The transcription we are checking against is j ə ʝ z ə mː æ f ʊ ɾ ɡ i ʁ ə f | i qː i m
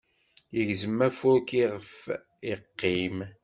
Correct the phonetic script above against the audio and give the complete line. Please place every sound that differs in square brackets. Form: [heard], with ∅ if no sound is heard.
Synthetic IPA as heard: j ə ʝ z ə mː æ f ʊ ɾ [k] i ʁ ə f | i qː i m